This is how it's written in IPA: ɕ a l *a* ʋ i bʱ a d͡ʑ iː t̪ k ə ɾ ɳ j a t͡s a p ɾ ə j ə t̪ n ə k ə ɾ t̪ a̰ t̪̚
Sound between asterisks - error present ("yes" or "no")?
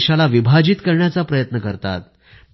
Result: no